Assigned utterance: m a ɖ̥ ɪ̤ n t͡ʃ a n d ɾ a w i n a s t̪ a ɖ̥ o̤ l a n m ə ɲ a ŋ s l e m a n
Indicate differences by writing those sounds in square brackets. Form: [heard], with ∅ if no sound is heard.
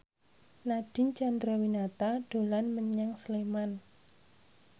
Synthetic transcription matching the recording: [n] a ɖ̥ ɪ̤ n t͡ʃ a n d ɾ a w i n a [∅] t̪ a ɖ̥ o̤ l a n m ə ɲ a ŋ s l e m a n